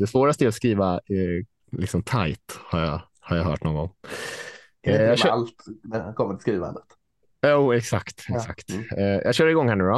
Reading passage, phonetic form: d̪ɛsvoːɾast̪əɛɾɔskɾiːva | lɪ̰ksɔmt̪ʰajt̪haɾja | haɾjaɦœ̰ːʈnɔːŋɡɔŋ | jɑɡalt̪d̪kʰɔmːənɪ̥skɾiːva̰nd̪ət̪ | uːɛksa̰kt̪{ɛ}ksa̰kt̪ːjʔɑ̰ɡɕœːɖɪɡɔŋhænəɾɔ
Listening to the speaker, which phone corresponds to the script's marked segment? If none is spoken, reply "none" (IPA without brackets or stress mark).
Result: ɛ